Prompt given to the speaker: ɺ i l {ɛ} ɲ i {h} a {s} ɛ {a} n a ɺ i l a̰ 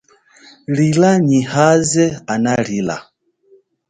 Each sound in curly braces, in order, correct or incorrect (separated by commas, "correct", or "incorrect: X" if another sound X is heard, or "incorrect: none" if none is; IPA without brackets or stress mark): incorrect: a, correct, incorrect: z, correct